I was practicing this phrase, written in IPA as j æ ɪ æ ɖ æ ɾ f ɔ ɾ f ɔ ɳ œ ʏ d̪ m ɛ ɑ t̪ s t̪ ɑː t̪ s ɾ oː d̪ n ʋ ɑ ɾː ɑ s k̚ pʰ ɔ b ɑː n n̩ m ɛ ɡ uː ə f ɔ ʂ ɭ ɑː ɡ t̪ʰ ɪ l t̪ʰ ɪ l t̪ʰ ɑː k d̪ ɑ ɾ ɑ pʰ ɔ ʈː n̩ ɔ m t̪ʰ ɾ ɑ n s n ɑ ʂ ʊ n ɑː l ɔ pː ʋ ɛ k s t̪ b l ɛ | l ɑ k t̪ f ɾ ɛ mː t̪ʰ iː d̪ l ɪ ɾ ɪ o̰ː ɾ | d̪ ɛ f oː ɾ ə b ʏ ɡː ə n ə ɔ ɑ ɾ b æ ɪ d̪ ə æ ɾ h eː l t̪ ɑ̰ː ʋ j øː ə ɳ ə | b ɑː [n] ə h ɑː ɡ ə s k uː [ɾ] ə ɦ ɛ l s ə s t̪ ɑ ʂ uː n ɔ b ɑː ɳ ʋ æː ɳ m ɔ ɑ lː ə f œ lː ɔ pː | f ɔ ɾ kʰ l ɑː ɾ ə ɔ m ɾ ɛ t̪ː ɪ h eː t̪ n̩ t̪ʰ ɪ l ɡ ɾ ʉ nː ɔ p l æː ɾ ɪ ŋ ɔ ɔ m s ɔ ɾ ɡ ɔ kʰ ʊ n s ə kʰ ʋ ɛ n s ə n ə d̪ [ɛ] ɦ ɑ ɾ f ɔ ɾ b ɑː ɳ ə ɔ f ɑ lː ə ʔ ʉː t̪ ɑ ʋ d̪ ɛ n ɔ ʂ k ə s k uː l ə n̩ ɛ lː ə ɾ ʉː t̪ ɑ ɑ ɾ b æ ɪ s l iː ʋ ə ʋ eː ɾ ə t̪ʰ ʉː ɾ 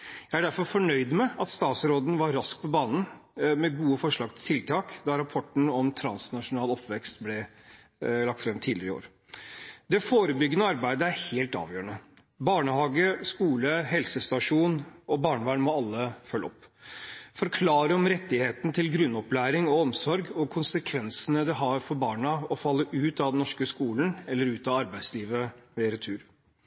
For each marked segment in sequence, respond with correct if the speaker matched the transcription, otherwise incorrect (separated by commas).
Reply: incorrect, incorrect, correct